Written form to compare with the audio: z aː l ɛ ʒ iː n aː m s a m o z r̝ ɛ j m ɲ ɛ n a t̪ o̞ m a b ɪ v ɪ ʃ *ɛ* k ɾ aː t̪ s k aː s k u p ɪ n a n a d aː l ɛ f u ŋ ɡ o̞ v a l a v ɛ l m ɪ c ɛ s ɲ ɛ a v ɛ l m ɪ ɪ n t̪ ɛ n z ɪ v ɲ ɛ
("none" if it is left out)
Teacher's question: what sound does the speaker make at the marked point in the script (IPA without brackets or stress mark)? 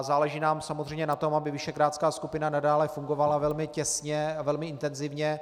ɛ